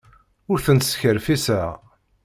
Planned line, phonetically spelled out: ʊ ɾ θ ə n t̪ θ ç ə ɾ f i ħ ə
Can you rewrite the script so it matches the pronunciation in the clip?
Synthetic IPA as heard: ʊ ɾ θ ə n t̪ s ç ə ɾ f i s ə